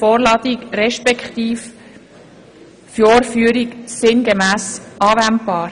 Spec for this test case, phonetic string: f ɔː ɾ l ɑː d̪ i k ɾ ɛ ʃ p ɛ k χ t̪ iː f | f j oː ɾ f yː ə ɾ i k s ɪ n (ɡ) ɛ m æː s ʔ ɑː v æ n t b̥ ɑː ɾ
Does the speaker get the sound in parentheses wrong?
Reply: no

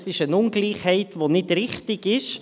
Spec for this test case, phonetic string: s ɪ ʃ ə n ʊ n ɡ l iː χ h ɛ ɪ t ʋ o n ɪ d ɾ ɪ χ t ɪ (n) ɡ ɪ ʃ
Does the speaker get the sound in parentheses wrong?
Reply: yes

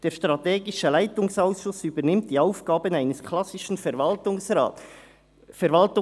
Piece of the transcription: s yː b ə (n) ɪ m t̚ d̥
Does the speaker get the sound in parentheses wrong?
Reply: no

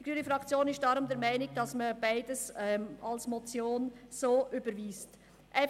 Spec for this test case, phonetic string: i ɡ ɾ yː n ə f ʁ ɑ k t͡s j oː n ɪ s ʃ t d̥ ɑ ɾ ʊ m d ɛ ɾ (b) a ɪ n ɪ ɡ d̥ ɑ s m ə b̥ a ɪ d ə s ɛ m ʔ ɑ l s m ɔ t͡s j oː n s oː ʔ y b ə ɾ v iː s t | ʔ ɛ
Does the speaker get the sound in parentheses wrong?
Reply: yes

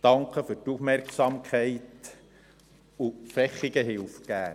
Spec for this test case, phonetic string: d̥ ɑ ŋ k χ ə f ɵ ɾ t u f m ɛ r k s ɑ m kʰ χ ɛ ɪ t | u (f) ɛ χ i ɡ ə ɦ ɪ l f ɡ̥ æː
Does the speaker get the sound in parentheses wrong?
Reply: no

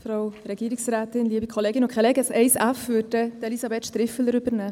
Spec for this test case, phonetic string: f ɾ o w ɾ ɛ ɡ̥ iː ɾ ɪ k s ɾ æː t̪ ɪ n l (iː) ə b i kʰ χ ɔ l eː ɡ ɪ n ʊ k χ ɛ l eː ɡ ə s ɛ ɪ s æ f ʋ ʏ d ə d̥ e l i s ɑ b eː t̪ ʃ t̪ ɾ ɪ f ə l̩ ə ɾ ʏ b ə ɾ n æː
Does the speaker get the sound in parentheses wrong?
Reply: yes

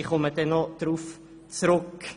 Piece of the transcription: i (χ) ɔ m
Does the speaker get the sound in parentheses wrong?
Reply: no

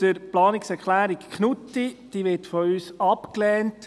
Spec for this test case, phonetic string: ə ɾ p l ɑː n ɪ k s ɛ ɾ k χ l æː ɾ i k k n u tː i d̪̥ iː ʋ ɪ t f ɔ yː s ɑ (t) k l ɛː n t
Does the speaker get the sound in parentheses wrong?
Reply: yes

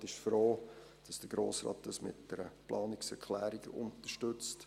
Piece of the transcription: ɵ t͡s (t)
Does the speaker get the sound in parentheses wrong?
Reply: no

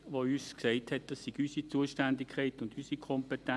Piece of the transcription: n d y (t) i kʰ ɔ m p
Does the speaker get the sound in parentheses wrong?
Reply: yes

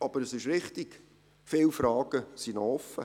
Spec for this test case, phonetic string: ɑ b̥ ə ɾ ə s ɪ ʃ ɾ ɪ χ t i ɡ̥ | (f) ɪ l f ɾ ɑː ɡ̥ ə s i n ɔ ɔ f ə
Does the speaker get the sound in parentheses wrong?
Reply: no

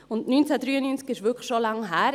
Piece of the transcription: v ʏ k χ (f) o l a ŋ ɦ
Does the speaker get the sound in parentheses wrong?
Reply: yes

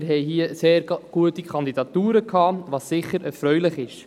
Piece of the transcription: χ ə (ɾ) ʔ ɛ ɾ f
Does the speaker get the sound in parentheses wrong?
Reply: no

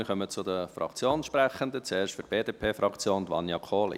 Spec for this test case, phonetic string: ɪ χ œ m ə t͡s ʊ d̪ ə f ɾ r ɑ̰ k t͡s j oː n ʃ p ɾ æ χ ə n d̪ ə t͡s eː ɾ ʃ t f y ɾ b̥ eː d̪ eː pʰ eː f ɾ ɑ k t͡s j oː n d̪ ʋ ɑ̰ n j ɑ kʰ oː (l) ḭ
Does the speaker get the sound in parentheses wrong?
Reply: no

